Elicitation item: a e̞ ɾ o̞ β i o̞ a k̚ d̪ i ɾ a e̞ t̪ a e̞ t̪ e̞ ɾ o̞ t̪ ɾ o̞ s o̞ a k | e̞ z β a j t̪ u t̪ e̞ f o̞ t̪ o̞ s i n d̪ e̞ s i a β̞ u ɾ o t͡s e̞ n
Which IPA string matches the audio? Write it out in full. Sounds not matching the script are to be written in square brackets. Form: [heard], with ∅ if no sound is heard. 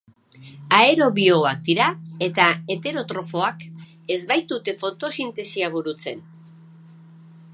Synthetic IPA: a e̞ ɾ o̞ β i o̞ a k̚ d̪ i ɾ a e̞ t̪ a e̞ t̪ e̞ ɾ o̞ t̪ ɾ o̞ [f] o̞ a k | e̞ z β a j t̪ u t̪ e̞ f o̞ t̪ o̞ s i n [t̪] e̞ s i a β̞ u ɾ [u] t͡s e̞ n